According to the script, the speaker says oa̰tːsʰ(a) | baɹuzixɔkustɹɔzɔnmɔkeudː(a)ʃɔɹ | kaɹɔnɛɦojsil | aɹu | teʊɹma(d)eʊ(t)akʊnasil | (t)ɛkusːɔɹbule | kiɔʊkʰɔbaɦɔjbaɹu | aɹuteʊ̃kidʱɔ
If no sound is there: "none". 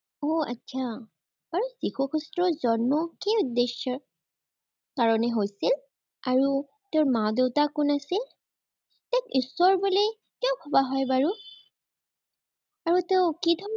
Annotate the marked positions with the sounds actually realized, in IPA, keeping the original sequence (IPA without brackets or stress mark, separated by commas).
a, e, d, t, t